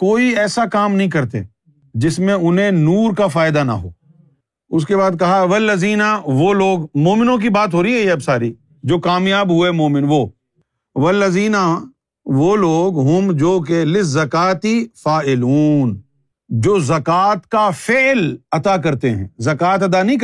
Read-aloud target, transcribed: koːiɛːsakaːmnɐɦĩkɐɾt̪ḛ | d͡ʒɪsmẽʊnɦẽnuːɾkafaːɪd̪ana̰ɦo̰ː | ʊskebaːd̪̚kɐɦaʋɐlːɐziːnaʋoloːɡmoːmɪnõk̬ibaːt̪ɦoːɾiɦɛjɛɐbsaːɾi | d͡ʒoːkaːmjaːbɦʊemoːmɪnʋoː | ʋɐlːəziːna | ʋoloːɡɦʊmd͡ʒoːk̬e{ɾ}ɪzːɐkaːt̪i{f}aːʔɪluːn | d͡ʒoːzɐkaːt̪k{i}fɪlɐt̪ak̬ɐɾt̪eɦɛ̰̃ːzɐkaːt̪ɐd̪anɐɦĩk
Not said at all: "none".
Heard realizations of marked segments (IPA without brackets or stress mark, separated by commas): l, f, a